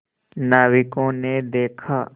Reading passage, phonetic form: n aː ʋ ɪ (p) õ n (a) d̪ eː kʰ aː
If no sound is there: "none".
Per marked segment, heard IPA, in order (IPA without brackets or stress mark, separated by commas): k, e